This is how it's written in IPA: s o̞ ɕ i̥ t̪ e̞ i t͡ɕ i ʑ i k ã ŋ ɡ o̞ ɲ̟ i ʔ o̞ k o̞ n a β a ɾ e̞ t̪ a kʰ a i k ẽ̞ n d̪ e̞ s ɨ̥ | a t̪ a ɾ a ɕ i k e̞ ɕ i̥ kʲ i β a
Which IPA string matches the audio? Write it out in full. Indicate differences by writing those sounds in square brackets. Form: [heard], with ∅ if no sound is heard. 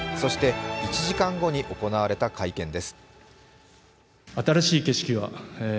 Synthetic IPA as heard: s o̞ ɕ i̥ t̪ e̞ i t͡ɕ i ʑ i k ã ŋ ɡ o̞ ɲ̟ i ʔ o̞ k o̞ n a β a ɾ e̞ t̪ a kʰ a i k ẽ̞ n d̪ e̞ s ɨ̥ | a t̪ a ɾ a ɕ [iː] k e̞ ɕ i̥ kʲ i β a